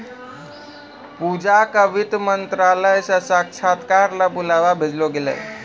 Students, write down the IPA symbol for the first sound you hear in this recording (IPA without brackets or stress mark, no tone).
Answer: p